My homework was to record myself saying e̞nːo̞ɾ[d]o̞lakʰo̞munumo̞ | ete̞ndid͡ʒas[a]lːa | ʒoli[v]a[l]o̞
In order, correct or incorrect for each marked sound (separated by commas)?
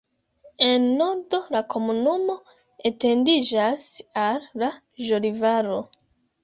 correct, correct, correct, incorrect